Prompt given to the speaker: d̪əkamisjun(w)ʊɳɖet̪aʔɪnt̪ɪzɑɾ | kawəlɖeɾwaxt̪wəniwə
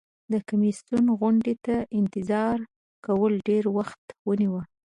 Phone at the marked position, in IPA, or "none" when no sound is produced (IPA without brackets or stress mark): ɣ